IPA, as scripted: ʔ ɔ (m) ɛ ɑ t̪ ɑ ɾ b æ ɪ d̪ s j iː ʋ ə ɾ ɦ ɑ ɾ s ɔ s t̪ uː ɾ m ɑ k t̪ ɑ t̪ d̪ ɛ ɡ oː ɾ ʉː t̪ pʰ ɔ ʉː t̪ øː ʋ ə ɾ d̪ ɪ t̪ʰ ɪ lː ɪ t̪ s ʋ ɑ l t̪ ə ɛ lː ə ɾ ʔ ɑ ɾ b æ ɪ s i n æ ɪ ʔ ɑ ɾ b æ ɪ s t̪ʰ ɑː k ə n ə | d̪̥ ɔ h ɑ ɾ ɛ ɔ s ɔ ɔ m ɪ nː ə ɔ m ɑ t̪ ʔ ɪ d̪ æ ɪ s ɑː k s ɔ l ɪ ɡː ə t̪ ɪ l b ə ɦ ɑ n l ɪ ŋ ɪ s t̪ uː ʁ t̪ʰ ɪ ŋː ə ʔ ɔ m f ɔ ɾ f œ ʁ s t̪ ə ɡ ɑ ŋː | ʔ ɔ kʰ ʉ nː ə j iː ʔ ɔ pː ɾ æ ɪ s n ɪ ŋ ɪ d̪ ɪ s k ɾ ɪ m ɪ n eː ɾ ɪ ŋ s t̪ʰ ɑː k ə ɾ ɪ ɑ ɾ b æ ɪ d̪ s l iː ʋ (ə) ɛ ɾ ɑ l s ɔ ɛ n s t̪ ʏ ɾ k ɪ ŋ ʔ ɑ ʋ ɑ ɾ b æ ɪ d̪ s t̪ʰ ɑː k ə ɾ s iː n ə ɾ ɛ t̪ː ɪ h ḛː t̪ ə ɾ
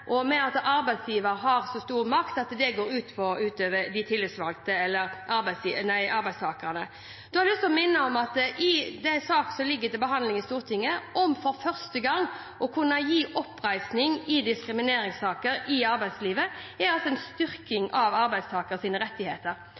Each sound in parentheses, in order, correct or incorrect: correct, correct

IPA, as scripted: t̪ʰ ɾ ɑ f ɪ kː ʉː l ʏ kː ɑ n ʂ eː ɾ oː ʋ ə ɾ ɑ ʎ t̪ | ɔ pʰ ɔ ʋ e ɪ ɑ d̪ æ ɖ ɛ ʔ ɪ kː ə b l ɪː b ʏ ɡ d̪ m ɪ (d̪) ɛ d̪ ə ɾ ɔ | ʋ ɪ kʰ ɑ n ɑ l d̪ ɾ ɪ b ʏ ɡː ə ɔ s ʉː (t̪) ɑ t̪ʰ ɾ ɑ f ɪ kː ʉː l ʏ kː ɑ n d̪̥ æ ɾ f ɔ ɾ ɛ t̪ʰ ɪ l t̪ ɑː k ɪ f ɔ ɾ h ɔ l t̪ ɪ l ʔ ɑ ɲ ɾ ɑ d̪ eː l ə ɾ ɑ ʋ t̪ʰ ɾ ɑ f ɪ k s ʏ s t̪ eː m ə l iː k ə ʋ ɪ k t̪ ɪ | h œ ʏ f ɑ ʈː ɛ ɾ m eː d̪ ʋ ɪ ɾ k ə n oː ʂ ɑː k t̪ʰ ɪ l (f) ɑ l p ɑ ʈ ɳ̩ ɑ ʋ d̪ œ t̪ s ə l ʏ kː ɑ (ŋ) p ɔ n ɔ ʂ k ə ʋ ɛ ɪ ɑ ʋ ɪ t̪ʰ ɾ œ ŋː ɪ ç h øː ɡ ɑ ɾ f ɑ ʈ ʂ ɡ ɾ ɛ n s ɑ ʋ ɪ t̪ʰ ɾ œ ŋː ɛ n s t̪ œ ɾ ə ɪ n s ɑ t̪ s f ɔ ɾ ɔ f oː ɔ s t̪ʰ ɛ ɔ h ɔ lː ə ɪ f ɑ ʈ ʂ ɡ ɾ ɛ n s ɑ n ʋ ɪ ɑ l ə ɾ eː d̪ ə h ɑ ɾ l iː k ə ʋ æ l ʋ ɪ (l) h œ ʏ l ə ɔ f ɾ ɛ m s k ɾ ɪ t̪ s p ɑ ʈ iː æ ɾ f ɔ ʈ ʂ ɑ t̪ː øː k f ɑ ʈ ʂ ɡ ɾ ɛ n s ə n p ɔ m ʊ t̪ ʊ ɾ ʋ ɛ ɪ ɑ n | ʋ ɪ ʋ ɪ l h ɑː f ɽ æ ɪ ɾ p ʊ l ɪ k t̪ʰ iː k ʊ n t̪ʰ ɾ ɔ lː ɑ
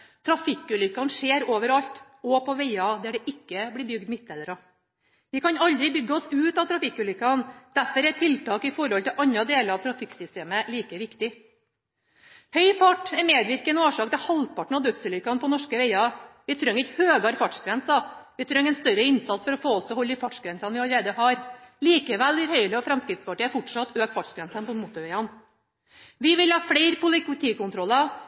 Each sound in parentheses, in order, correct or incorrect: incorrect, correct, incorrect, incorrect, incorrect

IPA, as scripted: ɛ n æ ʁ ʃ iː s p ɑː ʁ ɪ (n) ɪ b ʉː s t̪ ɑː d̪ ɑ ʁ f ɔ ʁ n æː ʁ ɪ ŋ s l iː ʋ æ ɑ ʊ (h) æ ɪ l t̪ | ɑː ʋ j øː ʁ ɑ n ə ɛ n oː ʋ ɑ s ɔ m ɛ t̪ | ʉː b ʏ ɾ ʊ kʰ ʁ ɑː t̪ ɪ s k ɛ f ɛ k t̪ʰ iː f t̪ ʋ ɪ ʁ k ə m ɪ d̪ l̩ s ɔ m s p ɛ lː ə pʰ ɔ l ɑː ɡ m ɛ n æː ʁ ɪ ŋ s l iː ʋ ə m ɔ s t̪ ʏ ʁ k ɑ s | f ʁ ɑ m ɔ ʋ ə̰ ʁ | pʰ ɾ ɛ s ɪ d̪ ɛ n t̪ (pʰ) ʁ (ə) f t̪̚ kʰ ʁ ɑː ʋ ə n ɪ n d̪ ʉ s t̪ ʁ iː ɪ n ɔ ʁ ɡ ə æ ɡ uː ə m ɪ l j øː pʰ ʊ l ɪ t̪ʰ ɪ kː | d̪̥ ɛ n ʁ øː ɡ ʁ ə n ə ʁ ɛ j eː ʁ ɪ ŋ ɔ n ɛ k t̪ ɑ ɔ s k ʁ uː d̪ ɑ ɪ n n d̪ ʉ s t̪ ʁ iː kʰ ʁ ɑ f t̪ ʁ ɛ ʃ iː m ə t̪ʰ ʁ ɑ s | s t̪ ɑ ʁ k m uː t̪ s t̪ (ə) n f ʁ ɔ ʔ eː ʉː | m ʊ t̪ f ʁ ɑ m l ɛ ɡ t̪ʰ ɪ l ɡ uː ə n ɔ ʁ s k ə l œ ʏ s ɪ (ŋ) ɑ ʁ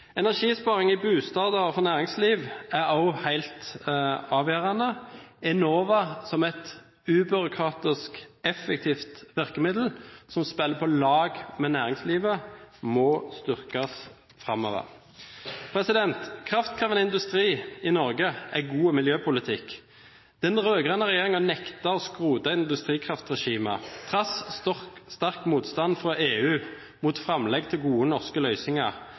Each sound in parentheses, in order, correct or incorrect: incorrect, correct, incorrect, incorrect, incorrect, correct

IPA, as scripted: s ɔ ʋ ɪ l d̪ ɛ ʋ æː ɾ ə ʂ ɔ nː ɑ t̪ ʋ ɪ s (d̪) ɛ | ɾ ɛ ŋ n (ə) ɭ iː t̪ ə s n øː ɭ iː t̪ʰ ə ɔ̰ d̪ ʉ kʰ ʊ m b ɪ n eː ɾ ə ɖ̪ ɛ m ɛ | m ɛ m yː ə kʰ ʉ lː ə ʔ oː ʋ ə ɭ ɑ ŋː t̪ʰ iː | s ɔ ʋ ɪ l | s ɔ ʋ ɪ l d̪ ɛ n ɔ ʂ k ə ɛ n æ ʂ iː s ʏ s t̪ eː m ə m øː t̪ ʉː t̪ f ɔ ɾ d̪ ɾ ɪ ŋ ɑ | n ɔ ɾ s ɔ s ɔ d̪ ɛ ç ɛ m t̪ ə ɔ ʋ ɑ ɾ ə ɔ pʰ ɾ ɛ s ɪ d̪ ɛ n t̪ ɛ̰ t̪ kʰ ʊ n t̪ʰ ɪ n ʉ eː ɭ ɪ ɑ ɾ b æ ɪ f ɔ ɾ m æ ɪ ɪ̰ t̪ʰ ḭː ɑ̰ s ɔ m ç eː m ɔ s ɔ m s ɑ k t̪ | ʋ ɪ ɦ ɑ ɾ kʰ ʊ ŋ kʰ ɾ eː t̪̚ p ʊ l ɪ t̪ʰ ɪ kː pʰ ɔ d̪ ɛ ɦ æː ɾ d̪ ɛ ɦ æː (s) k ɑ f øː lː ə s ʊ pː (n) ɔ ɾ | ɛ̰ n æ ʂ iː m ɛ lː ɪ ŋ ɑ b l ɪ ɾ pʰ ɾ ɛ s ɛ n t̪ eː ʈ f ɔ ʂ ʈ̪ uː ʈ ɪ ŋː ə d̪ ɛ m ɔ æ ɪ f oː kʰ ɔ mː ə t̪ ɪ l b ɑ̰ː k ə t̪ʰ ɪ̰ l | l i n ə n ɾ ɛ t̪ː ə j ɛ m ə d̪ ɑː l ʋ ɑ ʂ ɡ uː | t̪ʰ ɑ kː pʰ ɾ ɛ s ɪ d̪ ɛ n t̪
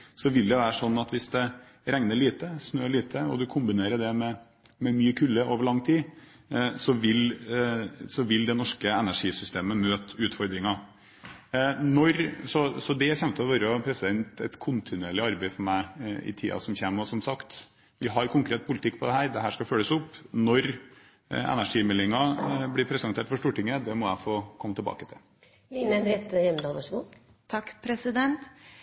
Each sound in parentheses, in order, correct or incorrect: correct, correct, incorrect, correct

